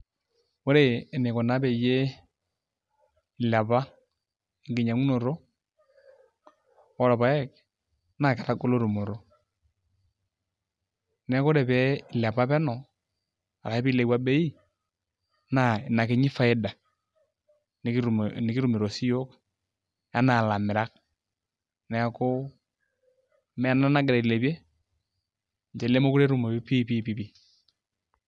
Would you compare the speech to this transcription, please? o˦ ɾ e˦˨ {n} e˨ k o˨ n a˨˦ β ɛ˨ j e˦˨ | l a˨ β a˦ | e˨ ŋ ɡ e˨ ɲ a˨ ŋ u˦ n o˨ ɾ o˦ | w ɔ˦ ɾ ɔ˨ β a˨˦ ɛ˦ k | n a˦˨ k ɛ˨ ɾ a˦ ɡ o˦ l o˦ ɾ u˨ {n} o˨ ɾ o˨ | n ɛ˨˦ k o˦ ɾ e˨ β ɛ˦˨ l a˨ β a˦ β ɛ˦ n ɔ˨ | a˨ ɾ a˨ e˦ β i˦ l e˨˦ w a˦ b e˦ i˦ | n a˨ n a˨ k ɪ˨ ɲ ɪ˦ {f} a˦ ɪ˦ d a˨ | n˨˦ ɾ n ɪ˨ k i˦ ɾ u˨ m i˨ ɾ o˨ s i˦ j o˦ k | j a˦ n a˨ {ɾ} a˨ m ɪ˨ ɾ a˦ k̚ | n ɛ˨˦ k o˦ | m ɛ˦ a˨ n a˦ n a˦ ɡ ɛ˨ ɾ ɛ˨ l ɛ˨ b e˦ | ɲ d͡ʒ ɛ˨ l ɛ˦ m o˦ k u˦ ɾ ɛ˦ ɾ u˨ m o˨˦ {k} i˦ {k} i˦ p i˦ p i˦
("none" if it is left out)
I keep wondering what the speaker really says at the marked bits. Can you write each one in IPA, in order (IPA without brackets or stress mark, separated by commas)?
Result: n, m, f, l, p, p